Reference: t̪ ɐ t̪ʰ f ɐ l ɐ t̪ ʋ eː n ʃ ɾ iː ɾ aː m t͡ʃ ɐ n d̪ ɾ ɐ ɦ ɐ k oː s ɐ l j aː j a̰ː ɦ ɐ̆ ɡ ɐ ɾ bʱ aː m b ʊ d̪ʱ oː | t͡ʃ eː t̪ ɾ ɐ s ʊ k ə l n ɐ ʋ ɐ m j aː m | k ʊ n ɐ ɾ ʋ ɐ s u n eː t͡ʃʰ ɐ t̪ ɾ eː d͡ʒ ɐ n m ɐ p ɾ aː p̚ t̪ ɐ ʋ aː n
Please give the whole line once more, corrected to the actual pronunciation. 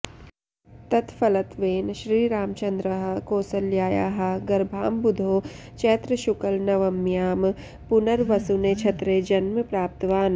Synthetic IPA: t̪ ɐ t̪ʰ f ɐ l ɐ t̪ ʋ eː n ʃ ɾ iː ɾ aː m t͡ʃ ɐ n d̪ ɾ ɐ ɦ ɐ k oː s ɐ l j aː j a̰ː ɦ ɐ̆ ɡ ɐ ɾ bʱ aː m b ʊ d̪ʱ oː | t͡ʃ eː t̪ ɾ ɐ ʃ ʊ k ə l n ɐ ʋ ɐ m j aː m | p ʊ n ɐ ɾ ʋ ɐ s u n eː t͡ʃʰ ɐ t̪ ɾ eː d͡ʒ ɐ n m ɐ p ɾ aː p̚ t̪ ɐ ʋ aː n